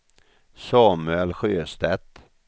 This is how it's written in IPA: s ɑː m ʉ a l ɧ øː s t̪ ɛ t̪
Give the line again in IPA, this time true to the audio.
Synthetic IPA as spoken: s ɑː m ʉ ɛ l ɧ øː s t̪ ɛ t̪